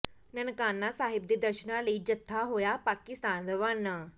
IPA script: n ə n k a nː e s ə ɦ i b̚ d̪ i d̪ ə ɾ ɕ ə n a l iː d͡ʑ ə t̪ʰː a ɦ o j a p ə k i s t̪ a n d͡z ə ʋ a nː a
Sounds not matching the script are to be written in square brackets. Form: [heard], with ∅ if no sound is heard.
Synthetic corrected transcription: n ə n k a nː [a] s [a] ɦ i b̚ d̪ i d̪ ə ɾ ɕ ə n a l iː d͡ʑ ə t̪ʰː a ɦ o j a p [a] k i s t̪ a n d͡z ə ʋ a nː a